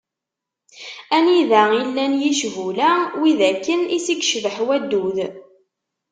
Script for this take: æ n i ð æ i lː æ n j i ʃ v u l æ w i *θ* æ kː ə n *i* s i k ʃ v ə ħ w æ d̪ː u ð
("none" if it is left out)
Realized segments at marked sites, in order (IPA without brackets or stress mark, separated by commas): ð, i